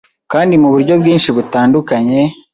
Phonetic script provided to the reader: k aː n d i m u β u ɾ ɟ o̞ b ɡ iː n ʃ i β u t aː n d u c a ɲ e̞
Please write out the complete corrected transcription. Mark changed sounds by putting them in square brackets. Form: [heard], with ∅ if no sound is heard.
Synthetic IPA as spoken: k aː n d i m u β u ɾ ɟ o̞ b ɡ iː n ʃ i β u t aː n d u [k] a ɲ e̞